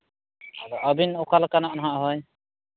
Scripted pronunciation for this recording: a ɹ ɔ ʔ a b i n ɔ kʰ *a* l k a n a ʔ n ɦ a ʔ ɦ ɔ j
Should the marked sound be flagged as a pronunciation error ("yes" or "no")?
no